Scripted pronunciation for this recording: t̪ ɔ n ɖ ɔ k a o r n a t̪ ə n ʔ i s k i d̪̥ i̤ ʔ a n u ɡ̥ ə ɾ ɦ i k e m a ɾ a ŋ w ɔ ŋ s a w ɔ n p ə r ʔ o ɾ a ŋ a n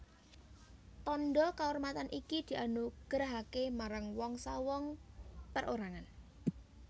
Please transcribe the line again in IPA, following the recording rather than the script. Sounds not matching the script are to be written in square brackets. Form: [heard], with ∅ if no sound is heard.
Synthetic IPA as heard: t̪ ɔ n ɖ ɔ k a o r [m] a t̪ [a] n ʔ i [∅] k i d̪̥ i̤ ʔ a n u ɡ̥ ə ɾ ɦ [a] k e m a ɾ a ŋ w ɔ ŋ s a w ɔ [ŋ] p ə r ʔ o ɾ a ŋ a n